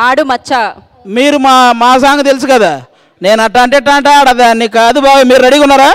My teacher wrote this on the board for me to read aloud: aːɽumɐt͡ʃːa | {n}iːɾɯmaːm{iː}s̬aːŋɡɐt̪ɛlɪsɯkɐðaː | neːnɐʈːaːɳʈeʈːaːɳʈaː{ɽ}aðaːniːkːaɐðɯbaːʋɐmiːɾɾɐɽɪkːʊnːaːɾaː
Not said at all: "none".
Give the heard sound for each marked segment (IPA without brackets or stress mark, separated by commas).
m, aː, ɽ